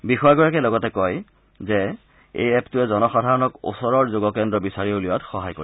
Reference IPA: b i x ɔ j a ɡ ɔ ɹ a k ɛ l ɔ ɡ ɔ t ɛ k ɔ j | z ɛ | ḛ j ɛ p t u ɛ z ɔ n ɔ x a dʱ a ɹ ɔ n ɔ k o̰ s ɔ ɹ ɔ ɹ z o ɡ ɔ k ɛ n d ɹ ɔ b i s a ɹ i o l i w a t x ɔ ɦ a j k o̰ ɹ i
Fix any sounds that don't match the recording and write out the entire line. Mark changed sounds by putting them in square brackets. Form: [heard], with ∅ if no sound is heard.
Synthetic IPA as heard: b i x ɔ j a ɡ ɔ ɹ a k ɛ l ɔ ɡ ɔ t ɛ k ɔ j | z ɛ | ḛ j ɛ p t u ɛ z ɔ n ɔ x a dʱ a ɹ ɔ n ɔ k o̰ s ɔ ɹ ɔ ɹ z o ɡ ɔ k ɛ n d ɹ ɔ b i s a ɹ i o l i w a t x ɔ ɦ a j k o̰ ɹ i